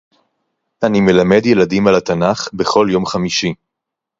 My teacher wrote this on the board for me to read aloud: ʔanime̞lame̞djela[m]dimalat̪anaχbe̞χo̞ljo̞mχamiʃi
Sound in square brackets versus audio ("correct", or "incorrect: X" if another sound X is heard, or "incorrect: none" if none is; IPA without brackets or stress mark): incorrect: none